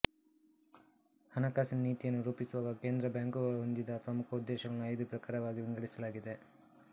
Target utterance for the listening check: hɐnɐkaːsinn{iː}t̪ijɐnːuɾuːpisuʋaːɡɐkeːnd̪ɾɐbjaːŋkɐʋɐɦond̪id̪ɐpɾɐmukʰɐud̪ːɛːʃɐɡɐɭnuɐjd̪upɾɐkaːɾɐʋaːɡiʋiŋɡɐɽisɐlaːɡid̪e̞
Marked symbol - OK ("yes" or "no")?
yes